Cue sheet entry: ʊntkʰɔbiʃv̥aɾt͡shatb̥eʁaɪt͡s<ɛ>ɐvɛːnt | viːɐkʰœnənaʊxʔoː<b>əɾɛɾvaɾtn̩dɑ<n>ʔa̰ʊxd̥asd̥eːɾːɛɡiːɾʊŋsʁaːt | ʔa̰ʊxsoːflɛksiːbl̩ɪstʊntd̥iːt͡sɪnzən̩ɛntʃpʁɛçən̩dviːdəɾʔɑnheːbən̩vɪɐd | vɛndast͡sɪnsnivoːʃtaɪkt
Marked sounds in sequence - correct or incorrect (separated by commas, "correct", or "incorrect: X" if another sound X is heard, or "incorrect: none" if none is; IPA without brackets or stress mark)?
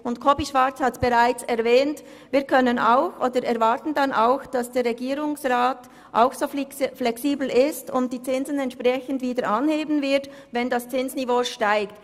correct, incorrect: d, correct